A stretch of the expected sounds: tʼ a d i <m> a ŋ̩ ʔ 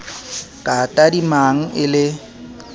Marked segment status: correct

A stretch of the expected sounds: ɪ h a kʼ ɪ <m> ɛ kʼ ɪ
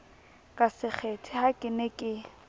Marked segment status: incorrect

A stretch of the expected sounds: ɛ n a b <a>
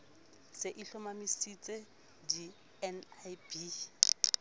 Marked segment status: incorrect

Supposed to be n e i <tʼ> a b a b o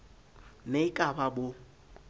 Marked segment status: incorrect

